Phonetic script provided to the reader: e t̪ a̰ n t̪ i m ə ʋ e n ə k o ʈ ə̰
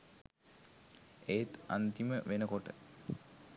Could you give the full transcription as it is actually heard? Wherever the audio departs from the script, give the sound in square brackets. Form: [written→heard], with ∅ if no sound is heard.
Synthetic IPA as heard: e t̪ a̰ n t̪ i m ə ʋ e n ə k o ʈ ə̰